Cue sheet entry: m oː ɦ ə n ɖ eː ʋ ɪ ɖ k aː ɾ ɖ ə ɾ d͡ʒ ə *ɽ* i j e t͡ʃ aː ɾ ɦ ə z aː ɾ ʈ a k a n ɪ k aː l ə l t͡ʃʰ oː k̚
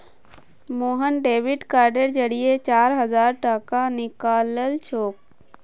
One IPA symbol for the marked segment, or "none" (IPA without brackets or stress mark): ɽ